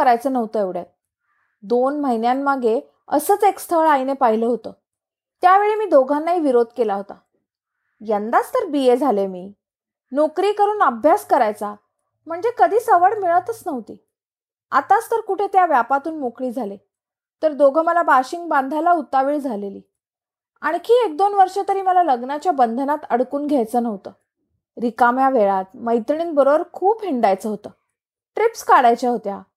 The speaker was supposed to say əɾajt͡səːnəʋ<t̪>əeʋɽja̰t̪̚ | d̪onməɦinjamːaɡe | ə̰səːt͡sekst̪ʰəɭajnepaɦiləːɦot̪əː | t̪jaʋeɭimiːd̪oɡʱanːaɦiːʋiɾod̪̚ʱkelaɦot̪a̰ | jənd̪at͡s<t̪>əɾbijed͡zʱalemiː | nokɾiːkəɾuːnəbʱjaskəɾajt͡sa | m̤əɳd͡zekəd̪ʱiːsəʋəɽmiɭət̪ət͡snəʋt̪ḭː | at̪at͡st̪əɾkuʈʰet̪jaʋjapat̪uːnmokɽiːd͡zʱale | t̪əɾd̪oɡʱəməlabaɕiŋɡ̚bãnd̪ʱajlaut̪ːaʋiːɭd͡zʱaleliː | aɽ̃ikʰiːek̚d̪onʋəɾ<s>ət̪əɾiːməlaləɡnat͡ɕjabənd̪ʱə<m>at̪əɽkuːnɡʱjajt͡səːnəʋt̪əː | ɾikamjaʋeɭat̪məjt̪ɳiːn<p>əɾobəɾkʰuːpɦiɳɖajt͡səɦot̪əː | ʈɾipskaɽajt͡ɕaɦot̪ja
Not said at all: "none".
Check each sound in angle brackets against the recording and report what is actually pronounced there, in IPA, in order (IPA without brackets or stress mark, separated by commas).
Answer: t̪, t̪, ʂ, n, b